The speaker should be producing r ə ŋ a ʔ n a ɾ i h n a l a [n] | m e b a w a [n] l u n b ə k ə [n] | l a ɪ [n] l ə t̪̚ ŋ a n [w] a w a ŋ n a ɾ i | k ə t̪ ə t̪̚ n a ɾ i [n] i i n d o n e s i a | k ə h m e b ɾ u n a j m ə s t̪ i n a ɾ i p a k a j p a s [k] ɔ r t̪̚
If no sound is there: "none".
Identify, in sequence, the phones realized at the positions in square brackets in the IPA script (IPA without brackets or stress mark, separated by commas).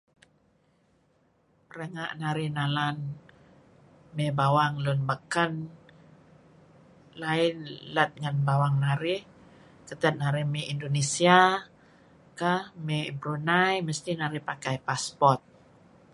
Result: n, ŋ, n, n, b, m, p